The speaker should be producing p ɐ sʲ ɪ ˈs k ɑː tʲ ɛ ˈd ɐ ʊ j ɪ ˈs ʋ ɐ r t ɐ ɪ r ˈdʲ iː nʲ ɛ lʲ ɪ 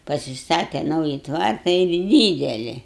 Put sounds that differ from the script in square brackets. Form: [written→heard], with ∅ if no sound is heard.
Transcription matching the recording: p ɐ sʲ ɪ ˈs [k→t] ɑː tʲ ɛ [ˈd→ˈn] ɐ ʊ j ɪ [ˈs→ˈt] ʋ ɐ r t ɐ ɪ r ˈdʲ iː [nʲ→dʲ] ɛ lʲ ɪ